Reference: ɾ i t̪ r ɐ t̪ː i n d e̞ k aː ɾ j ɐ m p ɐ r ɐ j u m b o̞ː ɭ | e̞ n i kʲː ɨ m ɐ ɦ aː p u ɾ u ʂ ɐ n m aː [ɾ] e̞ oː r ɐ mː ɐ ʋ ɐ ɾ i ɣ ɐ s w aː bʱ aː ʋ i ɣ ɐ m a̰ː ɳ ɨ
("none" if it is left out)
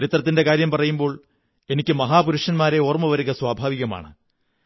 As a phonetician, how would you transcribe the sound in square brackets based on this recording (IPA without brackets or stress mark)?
ɾ